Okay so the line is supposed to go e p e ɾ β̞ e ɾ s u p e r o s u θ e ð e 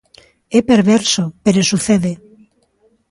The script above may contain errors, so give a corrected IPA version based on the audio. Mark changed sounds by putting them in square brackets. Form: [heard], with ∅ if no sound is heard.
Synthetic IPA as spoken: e p e ɾ β̞ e ɾ s [o] p e [ɾ] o s u θ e ð e